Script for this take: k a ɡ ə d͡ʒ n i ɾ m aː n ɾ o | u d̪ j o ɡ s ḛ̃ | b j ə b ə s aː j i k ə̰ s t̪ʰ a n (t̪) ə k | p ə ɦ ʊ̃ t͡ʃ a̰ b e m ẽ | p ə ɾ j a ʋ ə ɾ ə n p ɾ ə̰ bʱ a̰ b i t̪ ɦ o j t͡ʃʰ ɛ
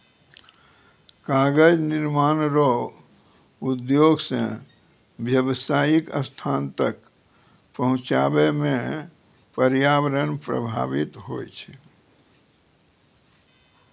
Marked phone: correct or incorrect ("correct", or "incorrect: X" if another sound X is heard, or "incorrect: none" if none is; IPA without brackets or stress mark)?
correct